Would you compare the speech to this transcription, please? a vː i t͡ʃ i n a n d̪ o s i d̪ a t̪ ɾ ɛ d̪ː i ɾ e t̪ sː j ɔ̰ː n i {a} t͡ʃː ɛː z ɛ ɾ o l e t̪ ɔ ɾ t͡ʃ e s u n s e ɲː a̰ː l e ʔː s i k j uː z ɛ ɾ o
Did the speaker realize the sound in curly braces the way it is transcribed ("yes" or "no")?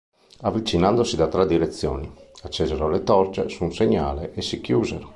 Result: yes